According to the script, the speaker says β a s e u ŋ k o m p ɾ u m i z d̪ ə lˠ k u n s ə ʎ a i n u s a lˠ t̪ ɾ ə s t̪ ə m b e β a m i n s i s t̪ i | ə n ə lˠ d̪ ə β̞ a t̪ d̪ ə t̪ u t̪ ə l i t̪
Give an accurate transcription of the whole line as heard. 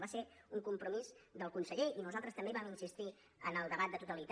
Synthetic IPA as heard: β a s e u ŋ k u m p ɾ u m i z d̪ ə lˠ k u n s ə ʎ e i n u z a lˠ t̪ ɾ ə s t̪ ə m b e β a m i n s i s t̪ i | ə n ə lˠ d̪ ə β̞ a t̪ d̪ ə t̪ u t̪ ə l i t̪